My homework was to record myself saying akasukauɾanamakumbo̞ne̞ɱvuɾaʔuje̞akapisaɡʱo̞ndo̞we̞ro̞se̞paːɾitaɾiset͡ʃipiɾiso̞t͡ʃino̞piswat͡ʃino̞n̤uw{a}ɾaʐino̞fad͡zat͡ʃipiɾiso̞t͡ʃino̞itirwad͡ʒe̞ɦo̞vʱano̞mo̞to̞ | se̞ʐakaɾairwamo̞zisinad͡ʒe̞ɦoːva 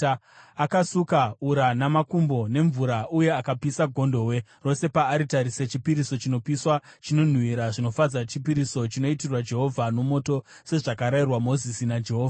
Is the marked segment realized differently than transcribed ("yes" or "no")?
yes